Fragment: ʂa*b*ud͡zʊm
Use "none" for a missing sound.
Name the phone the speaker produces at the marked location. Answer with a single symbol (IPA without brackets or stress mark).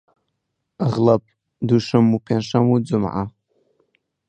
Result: m